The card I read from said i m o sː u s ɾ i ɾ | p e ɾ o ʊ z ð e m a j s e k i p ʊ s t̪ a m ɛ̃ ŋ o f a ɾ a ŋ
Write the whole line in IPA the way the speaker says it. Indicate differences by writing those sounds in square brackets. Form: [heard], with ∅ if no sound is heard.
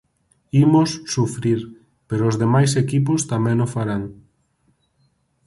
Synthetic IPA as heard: i m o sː u [f] ɾ i ɾ | p e ɾ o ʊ z ð e m a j s e k i p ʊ s t̪ a m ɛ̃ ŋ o f a ɾ a ŋ